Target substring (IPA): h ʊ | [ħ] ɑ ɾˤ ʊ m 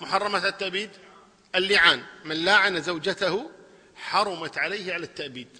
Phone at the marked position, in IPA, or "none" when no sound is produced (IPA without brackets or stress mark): ħ